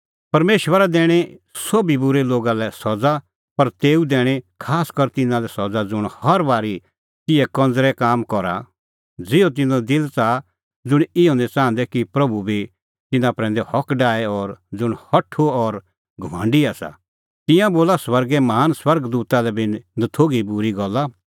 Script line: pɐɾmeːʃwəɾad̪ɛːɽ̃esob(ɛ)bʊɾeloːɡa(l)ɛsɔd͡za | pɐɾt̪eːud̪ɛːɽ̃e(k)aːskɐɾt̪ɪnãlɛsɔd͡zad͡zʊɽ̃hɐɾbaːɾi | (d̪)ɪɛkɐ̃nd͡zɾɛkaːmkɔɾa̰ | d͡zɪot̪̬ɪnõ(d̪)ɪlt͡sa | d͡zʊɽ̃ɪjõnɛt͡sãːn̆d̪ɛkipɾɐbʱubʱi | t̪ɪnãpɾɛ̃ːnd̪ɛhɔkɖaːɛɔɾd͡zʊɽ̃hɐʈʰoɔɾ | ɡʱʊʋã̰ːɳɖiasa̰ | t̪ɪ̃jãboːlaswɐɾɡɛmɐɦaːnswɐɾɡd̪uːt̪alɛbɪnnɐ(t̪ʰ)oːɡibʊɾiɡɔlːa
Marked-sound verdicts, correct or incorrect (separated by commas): incorrect, correct, incorrect, incorrect, correct, correct